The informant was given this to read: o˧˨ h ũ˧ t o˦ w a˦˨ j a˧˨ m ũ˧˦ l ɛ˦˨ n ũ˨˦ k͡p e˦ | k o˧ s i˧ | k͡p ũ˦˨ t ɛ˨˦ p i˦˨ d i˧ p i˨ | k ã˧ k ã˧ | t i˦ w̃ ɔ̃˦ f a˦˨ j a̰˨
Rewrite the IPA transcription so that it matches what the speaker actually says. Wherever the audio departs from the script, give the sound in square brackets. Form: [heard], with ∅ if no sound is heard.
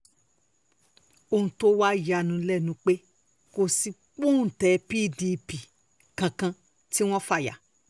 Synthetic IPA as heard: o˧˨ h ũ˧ t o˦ w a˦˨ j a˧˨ [n] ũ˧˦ l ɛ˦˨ n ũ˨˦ k͡p e˦ | k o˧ s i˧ | k͡p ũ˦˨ t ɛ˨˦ p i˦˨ d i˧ p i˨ | k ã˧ k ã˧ | t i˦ w̃ ɔ̃˦ f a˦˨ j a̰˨